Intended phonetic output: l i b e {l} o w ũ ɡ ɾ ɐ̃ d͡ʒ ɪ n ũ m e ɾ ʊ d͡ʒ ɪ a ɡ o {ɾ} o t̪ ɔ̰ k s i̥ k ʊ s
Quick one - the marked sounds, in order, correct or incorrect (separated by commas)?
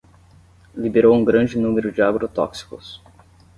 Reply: incorrect, correct